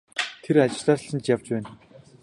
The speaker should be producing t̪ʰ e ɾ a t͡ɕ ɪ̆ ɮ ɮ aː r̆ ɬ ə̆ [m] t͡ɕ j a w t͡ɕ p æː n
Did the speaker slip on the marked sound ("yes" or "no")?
yes